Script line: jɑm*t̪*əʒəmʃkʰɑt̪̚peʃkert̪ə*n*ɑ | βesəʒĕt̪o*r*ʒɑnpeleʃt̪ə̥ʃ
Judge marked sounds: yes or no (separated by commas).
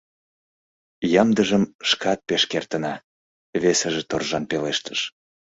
no, yes, yes